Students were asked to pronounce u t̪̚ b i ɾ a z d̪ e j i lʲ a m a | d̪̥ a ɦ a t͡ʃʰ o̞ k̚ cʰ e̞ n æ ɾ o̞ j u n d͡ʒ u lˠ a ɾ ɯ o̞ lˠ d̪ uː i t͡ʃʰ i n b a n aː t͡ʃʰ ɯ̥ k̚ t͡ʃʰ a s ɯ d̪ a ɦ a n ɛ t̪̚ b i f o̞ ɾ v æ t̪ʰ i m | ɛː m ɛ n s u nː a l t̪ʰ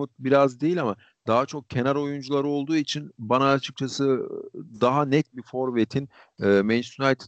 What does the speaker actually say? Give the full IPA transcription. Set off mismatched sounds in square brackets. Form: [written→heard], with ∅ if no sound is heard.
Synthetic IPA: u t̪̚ b i ɾ a z d̪ e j i lʲ a m a | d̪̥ a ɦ a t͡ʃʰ o̞ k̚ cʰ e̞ n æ ɾ o̞ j u n d͡ʒ u lˠ a ɾ ɯ o̞ lˠ d̪ uː i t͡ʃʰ i n b a n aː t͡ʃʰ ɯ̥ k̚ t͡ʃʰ a s ɯ d̪ a ɦ a n ɛ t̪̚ b i f o̞ ɾ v [æ→e] t̪ʰ i [m→n] | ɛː m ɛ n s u [nː→n] a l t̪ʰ